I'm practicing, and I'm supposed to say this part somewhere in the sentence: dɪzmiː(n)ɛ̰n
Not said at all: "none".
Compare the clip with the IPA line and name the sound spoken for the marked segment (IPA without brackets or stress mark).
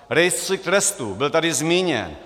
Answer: ɲ